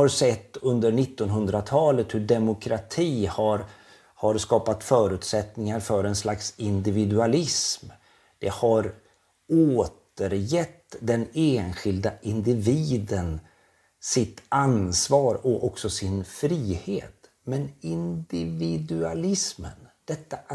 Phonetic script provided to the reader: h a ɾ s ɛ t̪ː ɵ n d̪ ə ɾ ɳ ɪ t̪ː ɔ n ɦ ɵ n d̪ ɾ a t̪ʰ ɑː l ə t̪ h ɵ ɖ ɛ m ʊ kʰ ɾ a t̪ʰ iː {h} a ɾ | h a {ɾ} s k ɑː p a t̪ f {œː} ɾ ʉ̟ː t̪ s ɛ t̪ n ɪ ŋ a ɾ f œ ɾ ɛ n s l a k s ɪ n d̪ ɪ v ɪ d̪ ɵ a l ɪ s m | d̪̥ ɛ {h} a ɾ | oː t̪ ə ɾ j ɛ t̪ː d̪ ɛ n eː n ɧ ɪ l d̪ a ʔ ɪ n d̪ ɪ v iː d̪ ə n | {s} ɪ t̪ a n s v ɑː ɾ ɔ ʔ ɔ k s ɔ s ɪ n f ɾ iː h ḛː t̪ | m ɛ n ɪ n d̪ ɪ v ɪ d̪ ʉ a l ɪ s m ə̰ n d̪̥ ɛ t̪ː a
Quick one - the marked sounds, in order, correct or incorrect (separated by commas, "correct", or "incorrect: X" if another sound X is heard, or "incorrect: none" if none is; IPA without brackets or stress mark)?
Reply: correct, correct, correct, correct, correct